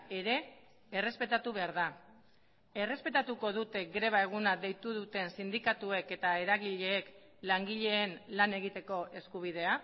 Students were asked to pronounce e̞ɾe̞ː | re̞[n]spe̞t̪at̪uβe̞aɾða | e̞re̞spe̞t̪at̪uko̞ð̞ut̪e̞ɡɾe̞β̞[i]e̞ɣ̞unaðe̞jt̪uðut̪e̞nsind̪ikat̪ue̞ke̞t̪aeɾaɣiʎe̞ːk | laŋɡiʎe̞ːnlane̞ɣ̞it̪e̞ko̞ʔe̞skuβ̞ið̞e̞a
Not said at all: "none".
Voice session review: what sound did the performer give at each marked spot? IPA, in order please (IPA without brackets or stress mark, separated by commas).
none, a